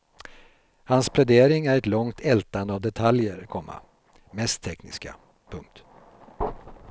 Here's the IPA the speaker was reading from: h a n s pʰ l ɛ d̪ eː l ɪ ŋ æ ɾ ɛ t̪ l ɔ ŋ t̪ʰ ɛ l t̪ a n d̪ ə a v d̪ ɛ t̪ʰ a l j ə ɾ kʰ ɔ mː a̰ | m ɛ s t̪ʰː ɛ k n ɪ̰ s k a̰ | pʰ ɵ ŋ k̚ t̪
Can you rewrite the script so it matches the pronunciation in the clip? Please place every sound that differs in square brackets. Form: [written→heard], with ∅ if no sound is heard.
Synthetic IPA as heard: h a n s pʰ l ɛ d̪ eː [l→ɾ] ɪ ŋ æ ɾ ɛ t̪ l ɔ ŋ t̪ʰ ɛ l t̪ a n d̪ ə a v d̪ ɛ t̪ʰ a l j ə ɾ kʰ ɔ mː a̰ | m ɛ s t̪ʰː ɛ k n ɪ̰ s k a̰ | pʰ ɵ ŋ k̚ t̪